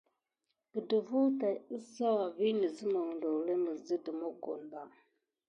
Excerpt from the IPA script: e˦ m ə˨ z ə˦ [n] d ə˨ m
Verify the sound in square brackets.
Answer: incorrect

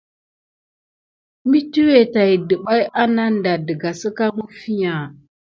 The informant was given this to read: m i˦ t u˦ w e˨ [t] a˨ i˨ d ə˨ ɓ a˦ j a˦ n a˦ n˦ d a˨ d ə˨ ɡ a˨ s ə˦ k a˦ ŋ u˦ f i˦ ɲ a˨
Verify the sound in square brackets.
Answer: correct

